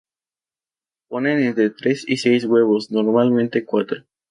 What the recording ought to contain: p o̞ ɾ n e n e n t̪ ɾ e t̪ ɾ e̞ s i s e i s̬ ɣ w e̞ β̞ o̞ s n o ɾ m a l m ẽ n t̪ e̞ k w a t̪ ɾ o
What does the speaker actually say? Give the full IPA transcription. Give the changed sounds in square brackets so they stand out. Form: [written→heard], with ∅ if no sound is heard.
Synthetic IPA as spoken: p o̞ [ɾ→∅] n e n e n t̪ ɾ e t̪ ɾ e̞ s i s e [i→j] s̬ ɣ w e̞ β̞ o̞ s n o ɾ m a l m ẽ n t̪ e̞ k w a t̪ ɾ o